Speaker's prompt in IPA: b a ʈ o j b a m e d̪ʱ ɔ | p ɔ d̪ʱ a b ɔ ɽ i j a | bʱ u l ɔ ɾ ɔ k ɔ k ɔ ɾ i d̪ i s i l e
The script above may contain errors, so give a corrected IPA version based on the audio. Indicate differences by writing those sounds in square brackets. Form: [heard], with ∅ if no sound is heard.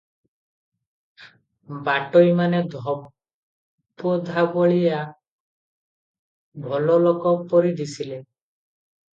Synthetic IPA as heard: b a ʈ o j [m] a [n] e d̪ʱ ɔ | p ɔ d̪ʱ a b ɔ [ɭ] i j a | bʱ [ɔ] l ɔ [l] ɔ k ɔ [p] ɔ ɾ i d̪ i s i l e